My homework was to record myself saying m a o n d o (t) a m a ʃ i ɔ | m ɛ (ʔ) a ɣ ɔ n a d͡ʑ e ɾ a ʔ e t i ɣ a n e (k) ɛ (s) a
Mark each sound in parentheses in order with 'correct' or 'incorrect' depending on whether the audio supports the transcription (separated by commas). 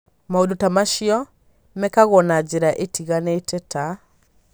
correct, incorrect, incorrect, incorrect